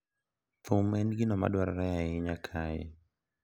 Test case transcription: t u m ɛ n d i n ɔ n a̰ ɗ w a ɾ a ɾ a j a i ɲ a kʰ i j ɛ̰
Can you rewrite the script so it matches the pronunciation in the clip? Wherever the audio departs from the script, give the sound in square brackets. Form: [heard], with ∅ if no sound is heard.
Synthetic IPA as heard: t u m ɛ n [ɡ] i n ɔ [m] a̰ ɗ w a ɾ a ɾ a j a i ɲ a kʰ [a] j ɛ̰